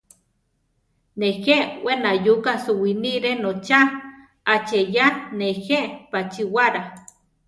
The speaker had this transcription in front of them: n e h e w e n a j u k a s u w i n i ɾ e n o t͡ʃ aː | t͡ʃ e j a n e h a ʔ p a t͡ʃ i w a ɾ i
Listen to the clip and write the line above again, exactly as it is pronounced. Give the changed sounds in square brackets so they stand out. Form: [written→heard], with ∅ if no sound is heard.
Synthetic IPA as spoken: n e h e w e n a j u k a s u w i n i ɾ e n o t͡ʃ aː | t͡ʃ e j a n e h [a→e] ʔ p a t͡ʃ i w a ɾ [i→a]